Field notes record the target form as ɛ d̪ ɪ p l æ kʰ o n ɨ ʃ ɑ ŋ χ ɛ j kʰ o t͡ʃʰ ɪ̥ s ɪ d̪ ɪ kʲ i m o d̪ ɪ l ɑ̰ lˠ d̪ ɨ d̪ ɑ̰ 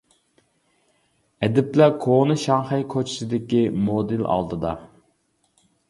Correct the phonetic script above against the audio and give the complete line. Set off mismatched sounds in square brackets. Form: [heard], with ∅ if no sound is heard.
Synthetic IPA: ɛ d̪ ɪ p l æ kʰ o n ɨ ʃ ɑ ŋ χ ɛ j kʰ o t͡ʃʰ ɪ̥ s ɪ d̪ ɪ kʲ i m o d̪ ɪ l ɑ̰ lˠ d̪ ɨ d̪ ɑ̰